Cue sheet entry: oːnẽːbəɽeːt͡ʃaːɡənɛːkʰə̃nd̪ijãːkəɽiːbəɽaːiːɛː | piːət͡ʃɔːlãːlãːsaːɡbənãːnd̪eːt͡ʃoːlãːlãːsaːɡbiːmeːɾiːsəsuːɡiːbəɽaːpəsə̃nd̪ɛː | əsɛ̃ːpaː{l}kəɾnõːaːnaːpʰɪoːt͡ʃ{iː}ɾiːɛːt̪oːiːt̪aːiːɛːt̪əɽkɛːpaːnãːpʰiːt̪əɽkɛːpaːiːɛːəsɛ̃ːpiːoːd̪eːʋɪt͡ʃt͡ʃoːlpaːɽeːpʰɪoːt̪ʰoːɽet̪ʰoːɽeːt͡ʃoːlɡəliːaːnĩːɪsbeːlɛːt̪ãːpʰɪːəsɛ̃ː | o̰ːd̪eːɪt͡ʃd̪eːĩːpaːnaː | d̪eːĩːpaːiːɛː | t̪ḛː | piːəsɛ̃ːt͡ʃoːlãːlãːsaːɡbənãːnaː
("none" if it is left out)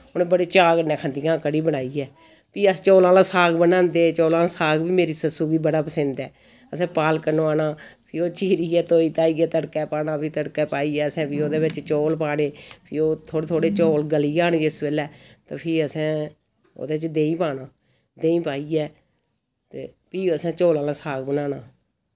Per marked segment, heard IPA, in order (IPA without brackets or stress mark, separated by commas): l, iː